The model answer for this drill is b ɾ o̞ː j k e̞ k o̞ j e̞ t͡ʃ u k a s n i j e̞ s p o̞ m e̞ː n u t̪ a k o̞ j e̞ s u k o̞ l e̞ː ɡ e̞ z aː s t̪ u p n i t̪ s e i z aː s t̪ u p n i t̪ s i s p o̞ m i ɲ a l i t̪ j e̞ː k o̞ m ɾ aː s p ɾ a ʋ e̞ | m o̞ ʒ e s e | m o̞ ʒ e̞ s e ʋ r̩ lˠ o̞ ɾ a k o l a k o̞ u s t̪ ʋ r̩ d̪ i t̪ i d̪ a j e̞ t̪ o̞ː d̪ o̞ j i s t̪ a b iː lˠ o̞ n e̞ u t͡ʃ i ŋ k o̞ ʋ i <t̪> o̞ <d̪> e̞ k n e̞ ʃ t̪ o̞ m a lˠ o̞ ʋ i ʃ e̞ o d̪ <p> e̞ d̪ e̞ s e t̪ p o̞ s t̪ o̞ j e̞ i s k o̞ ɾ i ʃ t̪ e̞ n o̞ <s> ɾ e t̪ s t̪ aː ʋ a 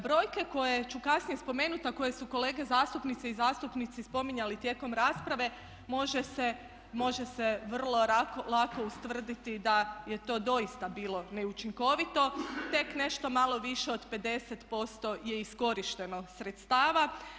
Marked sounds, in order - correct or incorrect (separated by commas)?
correct, incorrect, correct, correct